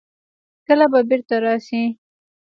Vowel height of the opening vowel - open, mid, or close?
mid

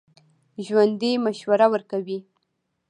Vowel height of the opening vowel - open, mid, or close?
open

